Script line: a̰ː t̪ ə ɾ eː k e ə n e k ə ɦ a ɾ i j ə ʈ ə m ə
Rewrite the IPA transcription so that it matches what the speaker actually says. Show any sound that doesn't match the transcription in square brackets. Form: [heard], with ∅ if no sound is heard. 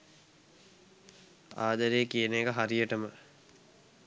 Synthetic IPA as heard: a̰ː [d̪] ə ɾ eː k [i] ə n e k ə ɦ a ɾ i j ə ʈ ə m ə